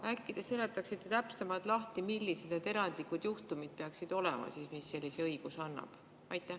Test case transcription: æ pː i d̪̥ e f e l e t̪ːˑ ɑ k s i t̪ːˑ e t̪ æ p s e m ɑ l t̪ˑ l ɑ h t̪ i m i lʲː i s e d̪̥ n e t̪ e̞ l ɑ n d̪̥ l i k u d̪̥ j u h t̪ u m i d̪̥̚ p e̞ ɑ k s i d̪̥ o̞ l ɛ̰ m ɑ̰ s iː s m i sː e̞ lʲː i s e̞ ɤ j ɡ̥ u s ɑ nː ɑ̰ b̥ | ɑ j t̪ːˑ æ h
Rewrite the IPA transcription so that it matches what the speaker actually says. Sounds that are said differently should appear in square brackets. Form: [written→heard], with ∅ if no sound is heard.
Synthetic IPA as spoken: æ [pː→kː] i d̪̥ e [f→s] e l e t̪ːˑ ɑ k s i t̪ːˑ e t̪ æ p s e m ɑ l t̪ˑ l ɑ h t̪ i m i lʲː i s e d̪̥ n e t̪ e̞ [l→ɾ] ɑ n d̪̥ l i k u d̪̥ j u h t̪ u m i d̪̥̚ p e̞ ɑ k s i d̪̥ o̞ l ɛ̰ m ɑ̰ s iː s m i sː e̞ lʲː i s e̞ ɤ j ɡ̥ u s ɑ nː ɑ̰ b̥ | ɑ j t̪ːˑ æ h